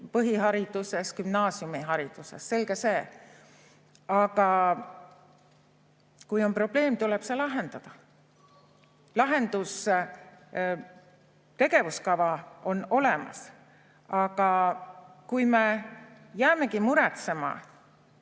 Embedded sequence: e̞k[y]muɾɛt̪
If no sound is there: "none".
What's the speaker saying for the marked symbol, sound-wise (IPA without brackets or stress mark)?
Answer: i